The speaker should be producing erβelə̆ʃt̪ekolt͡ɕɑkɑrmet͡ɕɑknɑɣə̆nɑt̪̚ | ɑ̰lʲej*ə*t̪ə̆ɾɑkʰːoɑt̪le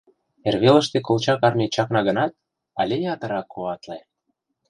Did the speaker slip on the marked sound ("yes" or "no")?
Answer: yes